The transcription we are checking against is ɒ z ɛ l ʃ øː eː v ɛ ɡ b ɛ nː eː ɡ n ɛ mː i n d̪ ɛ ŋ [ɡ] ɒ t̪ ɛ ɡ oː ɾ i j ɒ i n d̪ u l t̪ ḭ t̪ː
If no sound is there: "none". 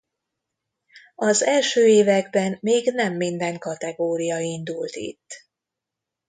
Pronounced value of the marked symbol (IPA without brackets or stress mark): k